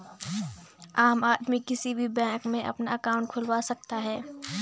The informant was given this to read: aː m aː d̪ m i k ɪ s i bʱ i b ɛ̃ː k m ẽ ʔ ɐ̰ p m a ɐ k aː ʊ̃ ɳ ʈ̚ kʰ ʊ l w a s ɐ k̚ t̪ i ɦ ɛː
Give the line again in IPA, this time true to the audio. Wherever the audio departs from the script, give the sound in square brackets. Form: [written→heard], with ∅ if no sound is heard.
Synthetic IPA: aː m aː d̪ m i k ɪ s i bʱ i b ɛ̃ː k m ẽ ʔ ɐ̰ p [m→n] a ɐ k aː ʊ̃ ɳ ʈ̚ kʰ ʊ l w a s ɐ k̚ t̪ [i→a] ɦ ɛː